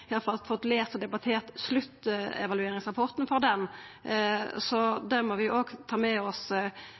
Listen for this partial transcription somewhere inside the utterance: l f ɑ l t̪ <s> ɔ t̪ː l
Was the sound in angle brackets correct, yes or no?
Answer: no